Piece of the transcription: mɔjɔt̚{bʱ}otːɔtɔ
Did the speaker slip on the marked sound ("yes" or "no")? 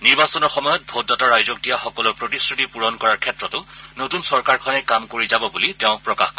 no